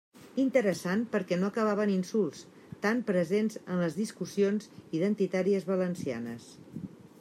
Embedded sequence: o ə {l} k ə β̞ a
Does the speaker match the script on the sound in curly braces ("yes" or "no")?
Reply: no